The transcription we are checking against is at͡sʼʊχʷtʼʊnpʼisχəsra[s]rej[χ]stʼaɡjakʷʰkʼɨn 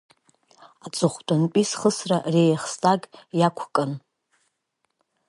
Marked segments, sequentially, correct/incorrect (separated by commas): incorrect, correct